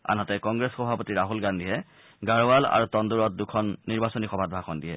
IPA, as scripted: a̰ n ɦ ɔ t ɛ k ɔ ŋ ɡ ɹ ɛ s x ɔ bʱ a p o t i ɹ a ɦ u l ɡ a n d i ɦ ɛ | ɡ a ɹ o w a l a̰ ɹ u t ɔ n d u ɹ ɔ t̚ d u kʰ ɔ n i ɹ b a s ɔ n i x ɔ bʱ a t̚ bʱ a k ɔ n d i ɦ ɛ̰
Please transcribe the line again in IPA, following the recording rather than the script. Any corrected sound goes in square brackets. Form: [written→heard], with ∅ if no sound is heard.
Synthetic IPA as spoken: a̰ n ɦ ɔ t ɛ k ɔ ŋ ɡ ɹ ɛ s x ɔ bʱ a p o t i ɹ a ɦ u l ɡ a n d i ɦ ɛ | ɡ a ɹ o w a l a̰ ɹ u t ɔ n d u ɹ ɔ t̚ d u kʰ ɔ [n→nː] i ɹ b a s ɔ n i x ɔ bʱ a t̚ bʱ a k ɔ n d i ɦ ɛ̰